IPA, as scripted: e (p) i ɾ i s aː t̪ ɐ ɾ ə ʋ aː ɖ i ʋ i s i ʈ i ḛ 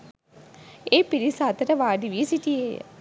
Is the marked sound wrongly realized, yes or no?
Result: no